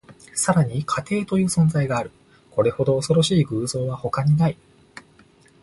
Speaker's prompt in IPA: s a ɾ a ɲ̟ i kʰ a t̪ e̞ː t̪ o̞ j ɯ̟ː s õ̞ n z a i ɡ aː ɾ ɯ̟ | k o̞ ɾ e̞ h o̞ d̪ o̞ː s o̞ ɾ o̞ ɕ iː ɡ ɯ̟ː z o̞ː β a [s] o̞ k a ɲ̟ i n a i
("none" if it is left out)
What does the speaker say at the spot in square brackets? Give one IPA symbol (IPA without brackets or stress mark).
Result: h